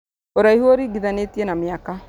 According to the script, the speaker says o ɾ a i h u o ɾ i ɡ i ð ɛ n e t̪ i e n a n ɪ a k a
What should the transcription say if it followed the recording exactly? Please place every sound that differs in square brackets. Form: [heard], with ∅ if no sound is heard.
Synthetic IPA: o ɾ a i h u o ɾ i ɡ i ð [a] n e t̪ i e n a [m] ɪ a k a